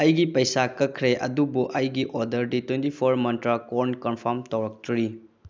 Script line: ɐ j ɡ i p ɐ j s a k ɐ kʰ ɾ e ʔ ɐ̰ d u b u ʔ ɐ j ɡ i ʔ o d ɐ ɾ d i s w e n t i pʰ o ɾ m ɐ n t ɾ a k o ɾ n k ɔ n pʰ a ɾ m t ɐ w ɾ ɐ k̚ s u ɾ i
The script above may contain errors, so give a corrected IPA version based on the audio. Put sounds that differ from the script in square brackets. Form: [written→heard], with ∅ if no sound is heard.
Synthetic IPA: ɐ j ɡ i p ɐ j s a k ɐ kʰ ɾ e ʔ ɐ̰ d u b u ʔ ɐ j ɡ i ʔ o d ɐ ɾ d i [s→t] w e n t i pʰ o ɾ m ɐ n t ɾ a k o ɾ n k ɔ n pʰ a ɾ m t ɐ w ɾ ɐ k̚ [s→t] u ɾ i